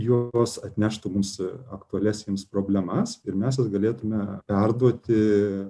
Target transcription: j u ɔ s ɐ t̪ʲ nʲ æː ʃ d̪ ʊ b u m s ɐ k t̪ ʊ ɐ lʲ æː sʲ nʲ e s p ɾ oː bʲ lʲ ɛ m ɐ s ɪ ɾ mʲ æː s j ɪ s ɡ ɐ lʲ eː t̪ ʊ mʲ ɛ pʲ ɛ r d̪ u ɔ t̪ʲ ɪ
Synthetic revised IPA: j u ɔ s ɐ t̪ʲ nʲ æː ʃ t̪ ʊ m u m s ɐ k t̪ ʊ ɐ lʲ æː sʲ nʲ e s p ɾ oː bʲ lʲ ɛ m ɐ s ɪ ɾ mʲ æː s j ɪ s ɡ ɐ lʲ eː t̪ ʊ mʲ ɛ pʲ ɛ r d̪ u ɔ t̪ʲ ɪ